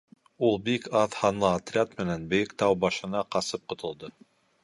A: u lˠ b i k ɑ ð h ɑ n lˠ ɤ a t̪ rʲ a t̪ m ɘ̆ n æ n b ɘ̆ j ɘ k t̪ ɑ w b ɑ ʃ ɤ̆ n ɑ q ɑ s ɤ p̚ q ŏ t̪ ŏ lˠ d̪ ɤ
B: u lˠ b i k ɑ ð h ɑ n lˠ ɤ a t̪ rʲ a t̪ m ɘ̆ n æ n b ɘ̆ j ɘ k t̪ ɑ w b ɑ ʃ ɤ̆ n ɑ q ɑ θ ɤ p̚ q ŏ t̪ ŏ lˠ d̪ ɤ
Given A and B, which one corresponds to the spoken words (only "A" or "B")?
A